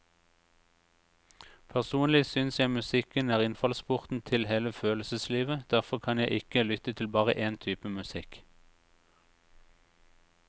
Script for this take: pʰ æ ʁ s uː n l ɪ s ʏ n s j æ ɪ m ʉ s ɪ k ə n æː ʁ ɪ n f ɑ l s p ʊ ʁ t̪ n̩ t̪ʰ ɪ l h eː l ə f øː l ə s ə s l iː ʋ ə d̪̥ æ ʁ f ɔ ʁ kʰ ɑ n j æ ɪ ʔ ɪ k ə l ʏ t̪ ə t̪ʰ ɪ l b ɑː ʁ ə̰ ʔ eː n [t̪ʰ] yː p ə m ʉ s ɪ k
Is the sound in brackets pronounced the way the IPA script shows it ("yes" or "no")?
yes